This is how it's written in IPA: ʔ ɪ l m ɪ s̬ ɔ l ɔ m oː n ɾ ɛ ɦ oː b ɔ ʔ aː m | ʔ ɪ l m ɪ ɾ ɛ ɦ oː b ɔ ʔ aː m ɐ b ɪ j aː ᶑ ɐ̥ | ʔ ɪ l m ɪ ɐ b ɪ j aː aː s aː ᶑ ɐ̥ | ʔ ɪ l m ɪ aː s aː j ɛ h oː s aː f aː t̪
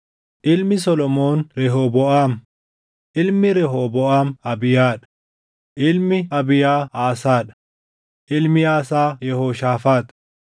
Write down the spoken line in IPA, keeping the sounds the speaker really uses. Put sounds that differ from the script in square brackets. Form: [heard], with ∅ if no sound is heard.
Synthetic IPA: ʔ ɪ l m ɪ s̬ ɔ l ɔ m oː n ɾ ɛ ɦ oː b ɔ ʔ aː m | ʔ ɪ l m ɪ ɾ ɛ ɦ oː b ɔ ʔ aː m ɐ b ɪ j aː ᶑ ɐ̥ | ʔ ɪ l m ɪ ɐ b ɪ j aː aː s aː ᶑ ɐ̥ | ʔ ɪ l m ɪ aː s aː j ɛ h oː [ʃ] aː f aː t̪

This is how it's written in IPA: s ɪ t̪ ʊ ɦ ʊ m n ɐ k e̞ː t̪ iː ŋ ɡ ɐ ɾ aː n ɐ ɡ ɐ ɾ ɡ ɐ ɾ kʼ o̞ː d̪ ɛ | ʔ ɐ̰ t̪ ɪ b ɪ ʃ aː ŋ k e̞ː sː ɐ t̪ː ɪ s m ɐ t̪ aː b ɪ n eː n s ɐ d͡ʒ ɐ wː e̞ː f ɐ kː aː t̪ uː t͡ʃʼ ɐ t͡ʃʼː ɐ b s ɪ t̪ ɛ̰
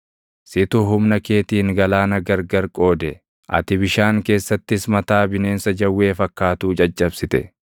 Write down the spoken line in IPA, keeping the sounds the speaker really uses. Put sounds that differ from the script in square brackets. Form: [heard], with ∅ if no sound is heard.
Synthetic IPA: s ɪ t̪ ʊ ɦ ʊ m n ɐ k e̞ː t̪ iː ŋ ɡ ɐ [l] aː n ɐ ɡ ɐ ɾ ɡ ɐ ɾ kʼ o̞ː d̪ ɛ | ʔ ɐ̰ t̪ ɪ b ɪ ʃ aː ŋ k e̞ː sː ɐ t̪ː ɪ s m ɐ t̪ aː b ɪ n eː n s ɐ d͡ʒ ɐ wː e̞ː f ɐ kː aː t̪ uː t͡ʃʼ ɐ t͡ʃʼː ɐ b s ɪ t̪ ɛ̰

